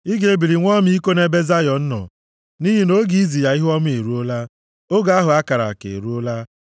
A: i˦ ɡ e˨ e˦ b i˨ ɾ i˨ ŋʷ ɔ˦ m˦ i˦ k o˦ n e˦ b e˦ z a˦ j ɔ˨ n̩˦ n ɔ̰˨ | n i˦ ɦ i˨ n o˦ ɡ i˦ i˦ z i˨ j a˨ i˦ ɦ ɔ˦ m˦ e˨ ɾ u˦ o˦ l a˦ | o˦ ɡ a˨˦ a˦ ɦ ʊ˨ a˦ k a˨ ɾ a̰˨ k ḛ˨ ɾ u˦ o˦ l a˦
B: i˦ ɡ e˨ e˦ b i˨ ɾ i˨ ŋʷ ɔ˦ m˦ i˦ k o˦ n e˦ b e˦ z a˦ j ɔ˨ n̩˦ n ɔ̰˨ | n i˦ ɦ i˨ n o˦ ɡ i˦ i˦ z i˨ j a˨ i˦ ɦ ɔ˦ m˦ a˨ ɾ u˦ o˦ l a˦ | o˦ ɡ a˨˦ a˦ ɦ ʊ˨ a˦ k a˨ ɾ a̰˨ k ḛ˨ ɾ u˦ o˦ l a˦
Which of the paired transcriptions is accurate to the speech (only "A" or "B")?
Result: A